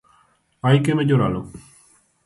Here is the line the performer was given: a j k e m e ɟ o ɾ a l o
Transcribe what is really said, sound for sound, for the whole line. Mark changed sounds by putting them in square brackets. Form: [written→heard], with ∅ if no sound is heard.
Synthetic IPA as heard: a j k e m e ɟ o ɾ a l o